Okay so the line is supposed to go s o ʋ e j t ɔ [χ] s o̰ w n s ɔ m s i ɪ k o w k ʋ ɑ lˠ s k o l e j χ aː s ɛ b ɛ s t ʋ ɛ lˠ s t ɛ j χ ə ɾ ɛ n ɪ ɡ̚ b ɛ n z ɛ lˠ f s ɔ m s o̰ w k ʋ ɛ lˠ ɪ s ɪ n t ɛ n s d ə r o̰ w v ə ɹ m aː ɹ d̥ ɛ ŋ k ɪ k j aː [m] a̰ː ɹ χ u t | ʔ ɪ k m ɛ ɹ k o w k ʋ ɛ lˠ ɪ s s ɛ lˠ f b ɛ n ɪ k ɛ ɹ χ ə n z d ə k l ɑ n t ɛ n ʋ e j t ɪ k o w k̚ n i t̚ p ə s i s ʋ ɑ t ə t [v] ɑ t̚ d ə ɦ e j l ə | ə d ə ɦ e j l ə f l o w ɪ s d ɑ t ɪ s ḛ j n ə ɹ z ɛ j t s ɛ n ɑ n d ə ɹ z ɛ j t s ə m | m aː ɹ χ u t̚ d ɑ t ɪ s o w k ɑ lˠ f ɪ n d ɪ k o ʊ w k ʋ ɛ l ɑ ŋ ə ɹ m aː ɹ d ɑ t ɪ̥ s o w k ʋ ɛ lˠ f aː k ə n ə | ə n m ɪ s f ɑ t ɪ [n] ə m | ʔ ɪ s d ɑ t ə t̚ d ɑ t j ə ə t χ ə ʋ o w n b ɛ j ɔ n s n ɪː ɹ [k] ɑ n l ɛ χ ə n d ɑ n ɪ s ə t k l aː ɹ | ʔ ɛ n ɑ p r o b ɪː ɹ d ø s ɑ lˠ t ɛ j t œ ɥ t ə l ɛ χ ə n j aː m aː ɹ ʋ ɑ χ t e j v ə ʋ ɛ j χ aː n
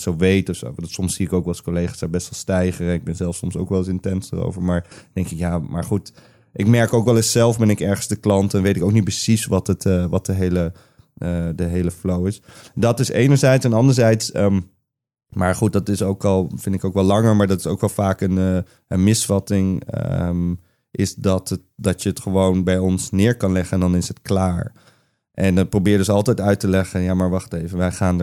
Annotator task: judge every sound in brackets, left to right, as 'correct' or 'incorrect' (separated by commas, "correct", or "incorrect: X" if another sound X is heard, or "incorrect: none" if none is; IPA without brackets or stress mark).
incorrect: f, correct, incorrect: ʋ, incorrect: ŋ, correct